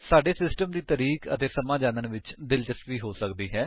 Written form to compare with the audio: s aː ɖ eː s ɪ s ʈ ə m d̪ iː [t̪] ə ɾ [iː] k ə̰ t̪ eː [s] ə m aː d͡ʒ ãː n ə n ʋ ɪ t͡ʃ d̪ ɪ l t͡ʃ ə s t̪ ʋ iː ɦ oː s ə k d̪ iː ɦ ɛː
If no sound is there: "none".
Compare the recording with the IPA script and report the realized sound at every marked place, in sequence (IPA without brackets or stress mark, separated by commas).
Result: t̪, iː, s